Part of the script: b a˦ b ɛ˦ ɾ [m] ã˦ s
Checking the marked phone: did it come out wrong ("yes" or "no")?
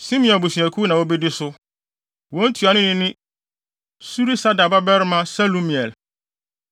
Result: no